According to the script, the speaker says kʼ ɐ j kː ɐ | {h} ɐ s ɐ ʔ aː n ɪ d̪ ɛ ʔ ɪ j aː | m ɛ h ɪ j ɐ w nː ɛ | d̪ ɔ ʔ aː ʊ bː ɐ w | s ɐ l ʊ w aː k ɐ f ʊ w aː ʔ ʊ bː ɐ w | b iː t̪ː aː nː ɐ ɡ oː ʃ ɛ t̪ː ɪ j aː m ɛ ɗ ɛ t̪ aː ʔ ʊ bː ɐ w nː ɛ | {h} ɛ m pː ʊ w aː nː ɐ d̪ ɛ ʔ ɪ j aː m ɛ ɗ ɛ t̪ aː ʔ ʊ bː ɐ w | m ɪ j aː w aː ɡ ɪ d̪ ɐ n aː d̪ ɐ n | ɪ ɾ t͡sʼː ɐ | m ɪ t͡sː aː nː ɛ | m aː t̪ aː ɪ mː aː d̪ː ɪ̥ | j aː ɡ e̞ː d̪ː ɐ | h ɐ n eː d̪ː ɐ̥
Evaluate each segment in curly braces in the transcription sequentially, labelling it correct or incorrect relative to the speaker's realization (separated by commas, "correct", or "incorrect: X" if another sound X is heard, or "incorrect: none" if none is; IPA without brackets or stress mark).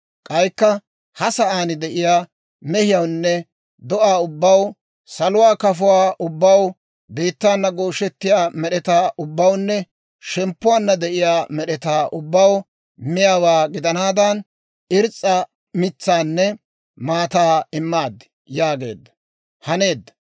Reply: correct, incorrect: ʃ